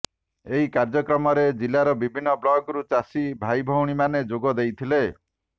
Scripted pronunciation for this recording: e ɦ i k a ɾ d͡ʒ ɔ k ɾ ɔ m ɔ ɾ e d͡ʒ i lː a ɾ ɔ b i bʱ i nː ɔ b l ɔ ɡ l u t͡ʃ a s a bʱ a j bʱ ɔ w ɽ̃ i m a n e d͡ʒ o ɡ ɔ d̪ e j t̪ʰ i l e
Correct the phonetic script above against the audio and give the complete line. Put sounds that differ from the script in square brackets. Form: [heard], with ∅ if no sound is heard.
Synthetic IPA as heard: e ɦ i k a ɾ d͡ʒ ɔ k ɾ ɔ m ɔ ɾ e d͡ʒ i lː a ɾ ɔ b i bʱ i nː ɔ b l ɔ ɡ [ɾ] u t͡ʃ a s [i] bʱ a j bʱ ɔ w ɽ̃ i m a n e d͡ʒ o ɡ ɔ d̪ e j t̪ʰ i l e

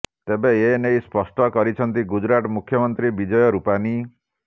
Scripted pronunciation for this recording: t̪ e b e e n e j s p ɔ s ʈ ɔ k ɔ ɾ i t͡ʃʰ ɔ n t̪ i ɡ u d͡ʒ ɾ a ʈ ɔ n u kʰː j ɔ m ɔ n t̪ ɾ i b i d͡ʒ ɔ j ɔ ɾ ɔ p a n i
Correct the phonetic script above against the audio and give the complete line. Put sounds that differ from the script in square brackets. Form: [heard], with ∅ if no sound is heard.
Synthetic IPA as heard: t̪ e b e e n e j s p ɔ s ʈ ɔ k ɔ ɾ i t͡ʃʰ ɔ n t̪ i ɡ u d͡ʒ ɾ a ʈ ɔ [m] u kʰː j ɔ m ɔ n t̪ ɾ i b i d͡ʒ ɔ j ɔ ɾ [u] p a n i

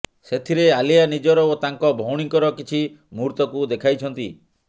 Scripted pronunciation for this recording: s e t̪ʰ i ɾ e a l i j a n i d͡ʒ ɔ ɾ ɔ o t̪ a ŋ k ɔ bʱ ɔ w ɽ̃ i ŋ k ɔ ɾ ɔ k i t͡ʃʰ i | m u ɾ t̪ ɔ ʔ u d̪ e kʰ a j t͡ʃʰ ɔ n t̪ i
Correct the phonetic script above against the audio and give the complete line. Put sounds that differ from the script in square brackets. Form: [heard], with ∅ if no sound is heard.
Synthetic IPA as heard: s e t̪ʰ i ɾ e a l i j a n i d͡ʒ ɔ ɾ ɔ o t̪ a ŋ k ɔ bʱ ɔ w ɽ̃ i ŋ k ɔ ɾ ɔ k i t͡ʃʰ i | m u ɾ t̪ ɔ [k] u d̪ e kʰ a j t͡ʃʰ ɔ n t̪ i

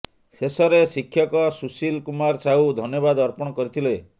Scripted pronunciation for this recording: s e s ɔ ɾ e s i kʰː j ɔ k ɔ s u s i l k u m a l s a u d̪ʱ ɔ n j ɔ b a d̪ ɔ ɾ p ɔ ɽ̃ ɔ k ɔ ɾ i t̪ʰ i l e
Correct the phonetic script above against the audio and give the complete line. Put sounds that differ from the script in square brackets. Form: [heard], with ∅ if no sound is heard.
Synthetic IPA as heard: s e s ɔ ɾ e s i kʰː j ɔ k ɔ s u s i l k u m a [ɾ] s a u d̪ʱ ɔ n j ɔ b a d̪ ɔ ɾ p ɔ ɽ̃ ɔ k ɔ ɾ i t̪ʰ i l e

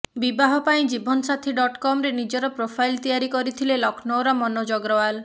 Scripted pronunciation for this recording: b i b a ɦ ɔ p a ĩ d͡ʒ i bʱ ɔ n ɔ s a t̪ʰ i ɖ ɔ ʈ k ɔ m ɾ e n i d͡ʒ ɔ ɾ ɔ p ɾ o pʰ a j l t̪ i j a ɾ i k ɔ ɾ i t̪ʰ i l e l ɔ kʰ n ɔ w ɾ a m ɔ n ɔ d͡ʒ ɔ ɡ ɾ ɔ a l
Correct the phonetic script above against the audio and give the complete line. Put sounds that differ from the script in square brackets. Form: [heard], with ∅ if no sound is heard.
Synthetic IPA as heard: b i b a ɦ ɔ p a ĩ d͡ʒ i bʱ ɔ n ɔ s a t̪ʰ i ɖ ɔ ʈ k ɔ m ɾ e n i d͡ʒ ɔ ɾ ɔ p ɾ o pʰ a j l t̪ i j a ɾ i k ɔ ɾ i t̪ʰ i l e l ɔ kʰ n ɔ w ɾ a m ɔ n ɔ d͡ʒ ɔ ɡ ɾ ɔ a l

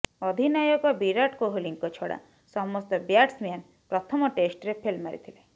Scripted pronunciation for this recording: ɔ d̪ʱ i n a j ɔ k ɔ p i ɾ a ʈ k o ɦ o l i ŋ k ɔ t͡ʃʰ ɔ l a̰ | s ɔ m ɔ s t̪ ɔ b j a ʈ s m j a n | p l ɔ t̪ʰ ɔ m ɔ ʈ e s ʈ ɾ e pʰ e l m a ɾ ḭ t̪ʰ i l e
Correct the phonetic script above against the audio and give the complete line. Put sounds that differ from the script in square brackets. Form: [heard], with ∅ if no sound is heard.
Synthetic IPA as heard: ɔ d̪ʱ i n a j ɔ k ɔ [b] i ɾ a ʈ k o ɦ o l i ŋ k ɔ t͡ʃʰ ɔ [ɽ] a̰ | s ɔ m ɔ s t̪ ɔ b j a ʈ s m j a n | p [ɾ] ɔ t̪ʰ ɔ m ɔ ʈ e s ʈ ɾ e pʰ e l m a ɾ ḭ t̪ʰ i l e

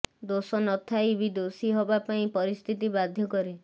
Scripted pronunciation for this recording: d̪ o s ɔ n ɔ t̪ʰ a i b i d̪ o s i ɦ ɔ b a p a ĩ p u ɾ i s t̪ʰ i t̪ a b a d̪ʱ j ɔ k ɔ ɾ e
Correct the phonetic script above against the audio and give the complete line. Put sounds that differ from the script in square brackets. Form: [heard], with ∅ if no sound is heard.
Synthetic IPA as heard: d̪ o s ɔ n ɔ t̪ʰ a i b i d̪ o s i ɦ ɔ b a p a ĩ p [ɔ] ɾ i s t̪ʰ i t̪ [i] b a d̪ʱ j ɔ k ɔ ɾ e

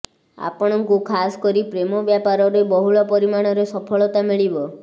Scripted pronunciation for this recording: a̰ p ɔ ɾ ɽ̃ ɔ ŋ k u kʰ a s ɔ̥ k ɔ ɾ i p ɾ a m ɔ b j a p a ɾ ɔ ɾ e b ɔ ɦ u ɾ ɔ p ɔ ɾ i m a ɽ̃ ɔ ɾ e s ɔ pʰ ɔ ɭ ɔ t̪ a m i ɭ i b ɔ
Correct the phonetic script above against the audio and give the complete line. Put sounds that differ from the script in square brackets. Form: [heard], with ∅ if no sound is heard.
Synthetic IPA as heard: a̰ p ɔ [∅] ɽ̃ ɔ ŋ k u kʰ a s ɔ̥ k ɔ ɾ i p ɾ [e] m ɔ b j a p a ɾ ɔ ɾ e b ɔ ɦ u [ɭ] ɔ p ɔ ɾ i m a ɽ̃ ɔ ɾ e s ɔ pʰ ɔ ɭ ɔ t̪ a m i ɭ i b ɔ

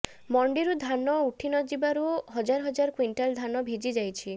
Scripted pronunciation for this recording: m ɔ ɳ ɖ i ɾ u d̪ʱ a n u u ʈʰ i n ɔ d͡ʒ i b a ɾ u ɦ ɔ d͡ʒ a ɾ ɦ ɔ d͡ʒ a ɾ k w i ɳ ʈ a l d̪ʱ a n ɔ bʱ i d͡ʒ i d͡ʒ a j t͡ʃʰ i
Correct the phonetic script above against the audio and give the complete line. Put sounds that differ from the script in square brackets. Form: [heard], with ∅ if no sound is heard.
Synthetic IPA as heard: m ɔ ɳ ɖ i ɾ u d̪ʱ a n [ɔ] u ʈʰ i n ɔ d͡ʒ i b a ɾ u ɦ ɔ d͡ʒ a ɾ ɦ ɔ d͡ʒ a ɾ k w i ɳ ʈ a l d̪ʱ a n ɔ bʱ i d͡ʒ i d͡ʒ a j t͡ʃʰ i

